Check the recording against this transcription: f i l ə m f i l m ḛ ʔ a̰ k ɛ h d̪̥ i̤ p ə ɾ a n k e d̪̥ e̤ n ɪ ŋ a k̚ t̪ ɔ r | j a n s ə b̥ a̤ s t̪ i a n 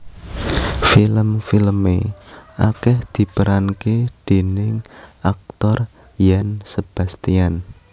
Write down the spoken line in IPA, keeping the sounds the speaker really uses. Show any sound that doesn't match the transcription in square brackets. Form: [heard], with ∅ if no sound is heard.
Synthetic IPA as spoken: f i l ə m f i l m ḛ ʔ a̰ k ɛ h d̪̥ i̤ p ə ɾ a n k e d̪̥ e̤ n ɪ ŋ a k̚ t̪ ɔ r | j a n s ə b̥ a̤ s t̪ i a n

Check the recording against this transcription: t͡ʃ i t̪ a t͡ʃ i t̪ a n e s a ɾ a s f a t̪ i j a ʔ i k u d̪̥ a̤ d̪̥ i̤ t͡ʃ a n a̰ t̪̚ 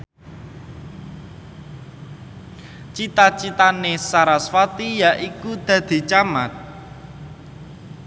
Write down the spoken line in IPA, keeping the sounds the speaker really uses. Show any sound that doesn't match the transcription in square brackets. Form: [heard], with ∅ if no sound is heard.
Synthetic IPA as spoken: t͡ʃ i t̪ a t͡ʃ i t̪ a n e s a ɾ a s f a t̪ i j a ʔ i k u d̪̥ a̤ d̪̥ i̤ t͡ʃ a [m] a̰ t̪̚

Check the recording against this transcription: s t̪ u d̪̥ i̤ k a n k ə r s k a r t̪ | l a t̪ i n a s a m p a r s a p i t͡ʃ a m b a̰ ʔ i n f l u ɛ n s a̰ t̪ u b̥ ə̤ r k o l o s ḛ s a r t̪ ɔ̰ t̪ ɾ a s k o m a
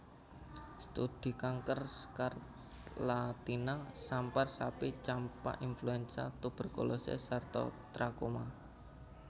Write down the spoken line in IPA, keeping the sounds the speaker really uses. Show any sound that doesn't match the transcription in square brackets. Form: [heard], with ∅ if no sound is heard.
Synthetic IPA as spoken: s t̪ u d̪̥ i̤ k a [ŋ] k ə r s k a r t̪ | l a t̪ i n a s a m p a r s a p i t͡ʃ a m [p] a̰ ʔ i n f l u ɛ n s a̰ t̪ u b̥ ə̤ r k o l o s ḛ s a r t̪ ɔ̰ t̪ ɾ a [∅] k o m a

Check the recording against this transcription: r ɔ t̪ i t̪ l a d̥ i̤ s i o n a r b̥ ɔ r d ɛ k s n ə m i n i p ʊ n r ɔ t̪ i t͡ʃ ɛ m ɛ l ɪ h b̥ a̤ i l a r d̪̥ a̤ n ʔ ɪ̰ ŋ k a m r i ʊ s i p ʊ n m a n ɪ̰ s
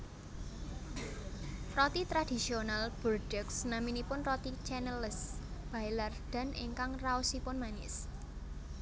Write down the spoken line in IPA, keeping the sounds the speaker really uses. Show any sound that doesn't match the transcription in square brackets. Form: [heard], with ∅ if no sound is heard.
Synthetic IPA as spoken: r ɔ t̪ i t̪ [ɾ] a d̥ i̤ s i o n a [l] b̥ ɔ r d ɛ k s n [a] m i n i p ʊ n r ɔ t̪ i t͡ʃ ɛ [n] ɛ l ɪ [s] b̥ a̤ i l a r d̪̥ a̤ n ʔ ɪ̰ ŋ k a [ŋ] r [a] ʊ s i p ʊ n m a n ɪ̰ s

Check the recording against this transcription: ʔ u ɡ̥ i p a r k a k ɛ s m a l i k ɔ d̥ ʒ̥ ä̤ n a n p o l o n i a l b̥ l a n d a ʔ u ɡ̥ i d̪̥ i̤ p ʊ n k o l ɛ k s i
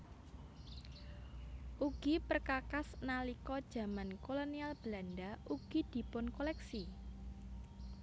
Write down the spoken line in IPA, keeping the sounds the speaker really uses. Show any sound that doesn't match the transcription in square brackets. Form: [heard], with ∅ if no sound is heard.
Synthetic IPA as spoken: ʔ u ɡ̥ i p [ə] r k a k [a] s [n] a l i k ɔ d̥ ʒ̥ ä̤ [m] a n [k] o l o n i a l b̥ l a n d a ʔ u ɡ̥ i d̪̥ i̤ p ʊ n k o l ɛ k s i

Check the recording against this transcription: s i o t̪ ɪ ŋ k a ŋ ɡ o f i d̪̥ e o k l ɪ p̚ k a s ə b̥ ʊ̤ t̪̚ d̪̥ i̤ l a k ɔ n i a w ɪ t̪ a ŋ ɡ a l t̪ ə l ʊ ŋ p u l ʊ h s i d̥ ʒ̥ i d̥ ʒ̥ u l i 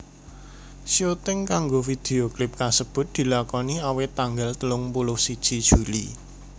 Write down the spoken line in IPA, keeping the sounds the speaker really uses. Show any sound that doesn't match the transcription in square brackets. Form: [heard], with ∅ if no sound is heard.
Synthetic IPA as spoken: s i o t̪ ɪ ŋ k a ŋ ɡ o f i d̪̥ e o k l ɪ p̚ k a s ə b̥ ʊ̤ t̪̚ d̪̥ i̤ l a k ɔ n i a w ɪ t̪ a ŋ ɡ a l t̪ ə l ʊ ŋ p u l ʊ h s i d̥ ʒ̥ i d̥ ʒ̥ u l i

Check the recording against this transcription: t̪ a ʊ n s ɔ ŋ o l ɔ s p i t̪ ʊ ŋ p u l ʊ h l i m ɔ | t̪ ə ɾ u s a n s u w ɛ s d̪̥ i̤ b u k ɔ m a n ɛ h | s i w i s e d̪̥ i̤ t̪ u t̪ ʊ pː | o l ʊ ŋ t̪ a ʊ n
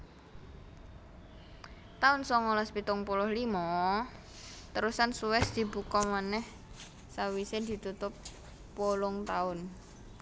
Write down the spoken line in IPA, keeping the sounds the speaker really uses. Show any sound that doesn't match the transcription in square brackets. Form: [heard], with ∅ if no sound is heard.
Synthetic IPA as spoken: t̪ a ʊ n s ɔ ŋ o l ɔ s p i t̪ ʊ ŋ p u l ʊ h l i m ɔ | t̪ ə ɾ u s a n s u w ɛ s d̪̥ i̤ b u k ɔ m a n ɛ h | s [a] w i s e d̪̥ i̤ t̪ u t̪ ʊ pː | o l ʊ ŋ t̪ a ʊ n

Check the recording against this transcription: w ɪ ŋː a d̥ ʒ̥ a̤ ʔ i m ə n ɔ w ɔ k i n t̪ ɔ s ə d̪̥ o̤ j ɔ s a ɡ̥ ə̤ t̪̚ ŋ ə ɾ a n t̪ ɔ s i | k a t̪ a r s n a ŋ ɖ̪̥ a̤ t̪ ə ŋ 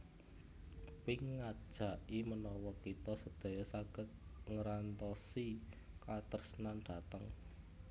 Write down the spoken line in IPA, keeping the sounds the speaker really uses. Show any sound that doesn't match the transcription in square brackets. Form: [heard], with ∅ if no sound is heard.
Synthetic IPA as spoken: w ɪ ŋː a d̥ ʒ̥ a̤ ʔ i m ə n ɔ w ɔ k i [∅] t̪ ɔ s ə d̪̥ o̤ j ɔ s a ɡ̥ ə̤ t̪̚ ŋ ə ɾ a n t̪ ɔ s i | k a t̪ [ə] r s n a [n] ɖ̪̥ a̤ t̪ ə ŋ

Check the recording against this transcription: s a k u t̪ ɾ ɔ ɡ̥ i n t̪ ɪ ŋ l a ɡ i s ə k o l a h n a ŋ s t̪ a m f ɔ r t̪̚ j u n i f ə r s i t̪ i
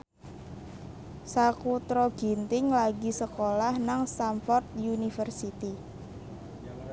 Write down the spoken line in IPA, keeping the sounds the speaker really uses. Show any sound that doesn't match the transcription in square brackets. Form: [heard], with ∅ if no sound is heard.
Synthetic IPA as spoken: s a k u t̪ ɾ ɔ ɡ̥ i n t̪ ɪ ŋ l a ɡ i s ə k o l a h n a ŋ s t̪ a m f ɔ r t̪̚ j u n i f ə r s i t̪ i

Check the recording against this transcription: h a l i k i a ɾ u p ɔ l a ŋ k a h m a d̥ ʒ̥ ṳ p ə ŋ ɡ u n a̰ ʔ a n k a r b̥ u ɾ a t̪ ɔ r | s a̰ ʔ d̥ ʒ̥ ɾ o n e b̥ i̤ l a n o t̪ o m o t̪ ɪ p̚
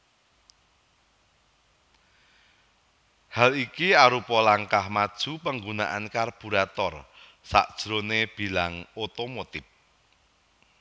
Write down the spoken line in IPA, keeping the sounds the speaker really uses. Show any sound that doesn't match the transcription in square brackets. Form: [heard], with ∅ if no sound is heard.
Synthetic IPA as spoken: h a l i k i a ɾ u p ɔ l a ŋ k a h m a d̥ ʒ̥ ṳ p ə ŋ ɡ u n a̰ ʔ a n k a r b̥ u ɾ a t̪ ɔ r | s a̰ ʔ d̥ ʒ̥ ɾ o n e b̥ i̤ l a [ŋ] o t̪ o m o t̪ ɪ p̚

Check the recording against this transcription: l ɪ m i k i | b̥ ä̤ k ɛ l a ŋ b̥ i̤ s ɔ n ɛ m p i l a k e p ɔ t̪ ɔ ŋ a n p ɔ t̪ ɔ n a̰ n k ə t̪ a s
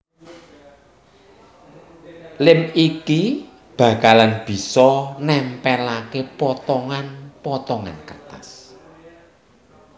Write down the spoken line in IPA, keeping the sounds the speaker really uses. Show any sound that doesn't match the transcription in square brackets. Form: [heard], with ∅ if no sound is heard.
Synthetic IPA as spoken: l ɪ m i k i | b̥ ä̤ k [a] l a [n] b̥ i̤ s ɔ n ɛ m p [ɛ] l a k e p ɔ t̪ ɔ ŋ a n p ɔ t̪ ɔ [ŋ] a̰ n k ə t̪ a s

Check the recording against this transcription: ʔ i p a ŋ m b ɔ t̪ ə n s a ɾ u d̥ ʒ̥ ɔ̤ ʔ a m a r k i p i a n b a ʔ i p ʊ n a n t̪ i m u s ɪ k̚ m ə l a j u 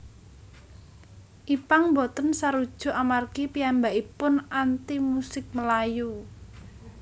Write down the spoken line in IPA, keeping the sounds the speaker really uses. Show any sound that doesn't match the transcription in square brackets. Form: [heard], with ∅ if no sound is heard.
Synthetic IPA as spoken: ʔ i p a ŋ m b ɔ t̪ ə n s a ɾ u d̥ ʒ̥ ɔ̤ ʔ a m a r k i p i a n b a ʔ i p ʊ n a n t̪ i m u s ɪ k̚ m ə l a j u

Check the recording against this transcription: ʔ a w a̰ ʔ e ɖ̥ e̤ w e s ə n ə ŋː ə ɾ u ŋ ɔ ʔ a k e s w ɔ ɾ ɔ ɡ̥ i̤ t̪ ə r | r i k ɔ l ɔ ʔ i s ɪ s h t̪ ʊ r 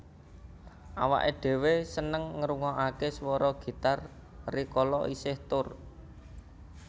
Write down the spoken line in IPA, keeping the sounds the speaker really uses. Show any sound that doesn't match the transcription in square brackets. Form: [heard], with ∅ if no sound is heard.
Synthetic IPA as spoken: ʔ a w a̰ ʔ e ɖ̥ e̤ w e s ə n ə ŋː ə ɾ u ŋ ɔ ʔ a k e s w ɔ ɾ ɔ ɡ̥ i̤ t̪ [a] r | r i k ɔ l ɔ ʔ i s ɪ [∅] h t̪ ʊ r

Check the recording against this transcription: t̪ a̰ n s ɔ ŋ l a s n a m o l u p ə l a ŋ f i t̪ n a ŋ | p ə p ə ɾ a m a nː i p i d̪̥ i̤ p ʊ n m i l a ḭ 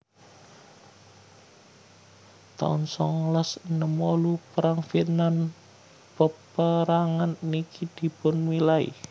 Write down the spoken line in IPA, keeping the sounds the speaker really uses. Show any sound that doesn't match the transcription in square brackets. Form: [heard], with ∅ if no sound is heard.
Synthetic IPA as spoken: t̪ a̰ n s ɔ ŋ l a s n [ə] m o l u p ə [ɾ] a ŋ f i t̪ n a [n] | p ə p ə ɾ a [ŋ] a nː i [k] i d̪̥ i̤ p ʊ n m i l a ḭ

